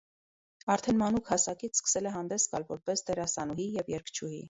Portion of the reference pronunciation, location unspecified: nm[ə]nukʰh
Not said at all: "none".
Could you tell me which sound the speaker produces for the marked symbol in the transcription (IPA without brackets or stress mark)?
ɑ